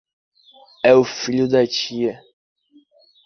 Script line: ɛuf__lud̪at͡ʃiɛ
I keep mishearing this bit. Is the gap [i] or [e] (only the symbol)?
i